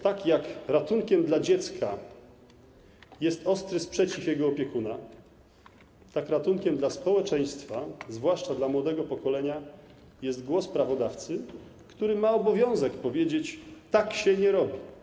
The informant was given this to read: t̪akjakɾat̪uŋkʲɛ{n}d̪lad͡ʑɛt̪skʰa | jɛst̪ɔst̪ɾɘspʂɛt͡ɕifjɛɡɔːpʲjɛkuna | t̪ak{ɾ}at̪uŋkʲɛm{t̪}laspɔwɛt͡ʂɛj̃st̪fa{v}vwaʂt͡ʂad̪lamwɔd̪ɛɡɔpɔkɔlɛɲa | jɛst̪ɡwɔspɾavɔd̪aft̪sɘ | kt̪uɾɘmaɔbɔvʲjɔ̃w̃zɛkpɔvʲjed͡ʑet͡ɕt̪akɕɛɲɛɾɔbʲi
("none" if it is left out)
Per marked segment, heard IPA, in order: m, ɾ, d̪, z

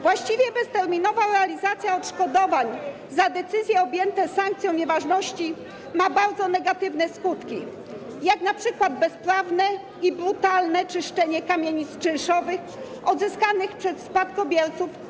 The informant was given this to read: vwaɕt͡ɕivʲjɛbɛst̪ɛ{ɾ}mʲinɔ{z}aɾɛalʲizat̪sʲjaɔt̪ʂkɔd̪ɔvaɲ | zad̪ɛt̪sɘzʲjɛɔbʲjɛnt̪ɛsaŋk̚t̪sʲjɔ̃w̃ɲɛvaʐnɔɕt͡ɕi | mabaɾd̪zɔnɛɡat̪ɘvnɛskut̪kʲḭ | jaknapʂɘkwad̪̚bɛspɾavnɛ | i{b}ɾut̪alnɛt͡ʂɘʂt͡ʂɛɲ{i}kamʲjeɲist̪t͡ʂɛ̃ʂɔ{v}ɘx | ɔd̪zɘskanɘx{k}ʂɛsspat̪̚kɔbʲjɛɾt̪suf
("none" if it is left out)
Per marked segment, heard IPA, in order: ɾ, v, b, ɛ, v, p

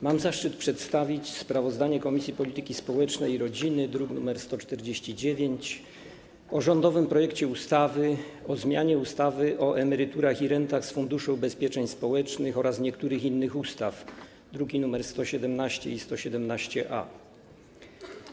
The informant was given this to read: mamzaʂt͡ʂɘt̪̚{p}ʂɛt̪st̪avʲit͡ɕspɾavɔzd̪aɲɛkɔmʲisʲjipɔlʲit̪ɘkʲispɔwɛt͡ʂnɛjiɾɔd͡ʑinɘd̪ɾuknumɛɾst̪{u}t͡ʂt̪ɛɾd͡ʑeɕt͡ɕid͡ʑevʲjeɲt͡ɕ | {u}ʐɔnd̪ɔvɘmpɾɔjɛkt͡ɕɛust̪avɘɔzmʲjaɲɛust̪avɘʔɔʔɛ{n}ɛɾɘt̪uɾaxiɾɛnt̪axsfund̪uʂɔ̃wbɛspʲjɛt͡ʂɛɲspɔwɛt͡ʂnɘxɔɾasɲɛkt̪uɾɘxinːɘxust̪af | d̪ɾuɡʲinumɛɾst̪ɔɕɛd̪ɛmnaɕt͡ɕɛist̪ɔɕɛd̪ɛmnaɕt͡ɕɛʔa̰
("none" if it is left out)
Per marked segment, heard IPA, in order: p, ɔ, ɔ, m

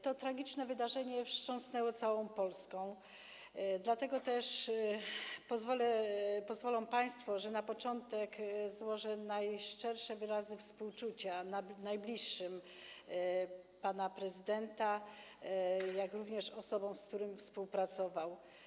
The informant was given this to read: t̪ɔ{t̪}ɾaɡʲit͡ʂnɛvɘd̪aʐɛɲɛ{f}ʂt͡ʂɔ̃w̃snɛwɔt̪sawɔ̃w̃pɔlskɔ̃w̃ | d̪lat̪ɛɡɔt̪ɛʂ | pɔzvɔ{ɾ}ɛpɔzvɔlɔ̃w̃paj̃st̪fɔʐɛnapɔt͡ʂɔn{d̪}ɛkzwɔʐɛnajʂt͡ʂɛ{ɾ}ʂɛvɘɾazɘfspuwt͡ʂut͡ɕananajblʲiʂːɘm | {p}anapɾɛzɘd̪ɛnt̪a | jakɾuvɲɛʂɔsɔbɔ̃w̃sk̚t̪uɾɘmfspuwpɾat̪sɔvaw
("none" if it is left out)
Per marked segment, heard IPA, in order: t̪, f, l, t̪, ɾ, p

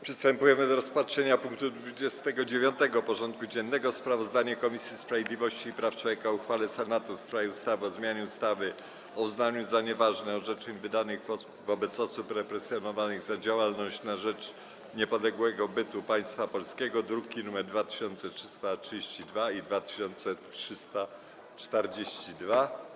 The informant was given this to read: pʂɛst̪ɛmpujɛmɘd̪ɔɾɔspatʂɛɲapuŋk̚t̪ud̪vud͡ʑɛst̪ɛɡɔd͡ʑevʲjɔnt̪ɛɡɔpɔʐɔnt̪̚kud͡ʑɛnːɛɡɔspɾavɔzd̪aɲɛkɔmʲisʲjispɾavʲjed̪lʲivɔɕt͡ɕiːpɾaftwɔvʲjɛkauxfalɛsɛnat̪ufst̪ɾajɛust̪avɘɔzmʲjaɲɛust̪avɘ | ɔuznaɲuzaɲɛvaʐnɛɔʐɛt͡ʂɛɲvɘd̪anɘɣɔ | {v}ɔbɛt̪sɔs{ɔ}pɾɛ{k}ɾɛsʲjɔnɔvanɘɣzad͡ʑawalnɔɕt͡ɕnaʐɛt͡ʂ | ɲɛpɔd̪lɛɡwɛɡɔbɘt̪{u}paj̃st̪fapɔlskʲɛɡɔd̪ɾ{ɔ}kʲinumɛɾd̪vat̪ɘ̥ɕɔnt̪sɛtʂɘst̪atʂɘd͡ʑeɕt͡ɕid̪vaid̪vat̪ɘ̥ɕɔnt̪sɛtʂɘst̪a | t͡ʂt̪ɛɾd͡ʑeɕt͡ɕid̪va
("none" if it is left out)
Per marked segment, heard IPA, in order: v, u, p, u, u

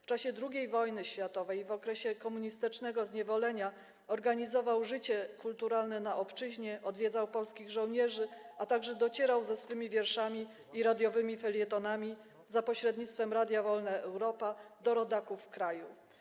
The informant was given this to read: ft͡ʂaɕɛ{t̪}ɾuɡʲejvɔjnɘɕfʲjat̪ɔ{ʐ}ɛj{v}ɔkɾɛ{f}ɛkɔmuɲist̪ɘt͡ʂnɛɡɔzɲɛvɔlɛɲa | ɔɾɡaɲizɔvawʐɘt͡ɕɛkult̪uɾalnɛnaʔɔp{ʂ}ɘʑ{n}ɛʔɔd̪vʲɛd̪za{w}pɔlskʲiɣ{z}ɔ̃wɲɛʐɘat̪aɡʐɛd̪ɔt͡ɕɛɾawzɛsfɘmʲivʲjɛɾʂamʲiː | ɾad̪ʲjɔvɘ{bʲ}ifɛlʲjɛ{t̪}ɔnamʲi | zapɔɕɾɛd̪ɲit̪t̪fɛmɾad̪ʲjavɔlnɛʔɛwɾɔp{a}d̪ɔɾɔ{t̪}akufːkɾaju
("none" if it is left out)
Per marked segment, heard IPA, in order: d̪, v, v, ɕ, t͡ʂ, ɲ, w, ʐ, mʲ, t̪, a, d̪

